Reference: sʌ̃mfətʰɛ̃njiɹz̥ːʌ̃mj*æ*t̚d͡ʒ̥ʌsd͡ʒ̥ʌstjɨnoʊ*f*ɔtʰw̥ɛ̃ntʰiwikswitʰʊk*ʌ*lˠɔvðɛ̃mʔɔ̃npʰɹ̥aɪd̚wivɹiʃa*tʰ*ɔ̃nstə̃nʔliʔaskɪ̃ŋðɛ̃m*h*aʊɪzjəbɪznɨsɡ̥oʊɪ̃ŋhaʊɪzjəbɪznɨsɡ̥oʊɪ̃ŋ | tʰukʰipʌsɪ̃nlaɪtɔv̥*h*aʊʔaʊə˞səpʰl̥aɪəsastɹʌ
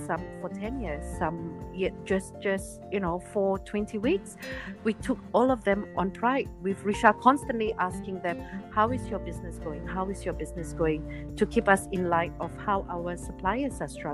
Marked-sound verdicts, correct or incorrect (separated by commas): incorrect, correct, incorrect, incorrect, correct, correct